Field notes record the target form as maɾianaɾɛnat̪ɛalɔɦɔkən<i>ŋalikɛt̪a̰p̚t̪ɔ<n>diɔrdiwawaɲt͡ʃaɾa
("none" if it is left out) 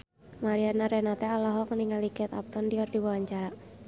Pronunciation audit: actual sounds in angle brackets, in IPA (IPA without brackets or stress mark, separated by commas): i, n